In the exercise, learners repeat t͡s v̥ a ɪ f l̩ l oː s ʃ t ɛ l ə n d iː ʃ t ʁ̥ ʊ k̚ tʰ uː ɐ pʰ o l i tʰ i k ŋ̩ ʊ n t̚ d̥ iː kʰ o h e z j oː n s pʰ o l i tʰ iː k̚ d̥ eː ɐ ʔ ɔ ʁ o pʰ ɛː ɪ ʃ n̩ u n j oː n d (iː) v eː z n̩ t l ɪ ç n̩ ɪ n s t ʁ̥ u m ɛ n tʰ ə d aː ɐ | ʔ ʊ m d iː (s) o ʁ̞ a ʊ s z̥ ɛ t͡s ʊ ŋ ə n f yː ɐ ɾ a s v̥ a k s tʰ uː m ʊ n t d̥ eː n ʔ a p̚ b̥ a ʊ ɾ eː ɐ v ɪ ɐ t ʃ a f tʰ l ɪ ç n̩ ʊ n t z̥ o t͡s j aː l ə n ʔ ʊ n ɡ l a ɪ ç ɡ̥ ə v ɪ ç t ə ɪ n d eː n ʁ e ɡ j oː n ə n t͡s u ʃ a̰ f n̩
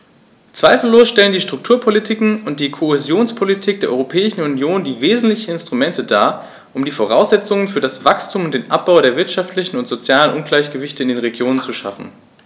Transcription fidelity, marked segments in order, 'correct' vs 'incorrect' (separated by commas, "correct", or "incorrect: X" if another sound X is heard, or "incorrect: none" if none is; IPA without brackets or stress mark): correct, incorrect: f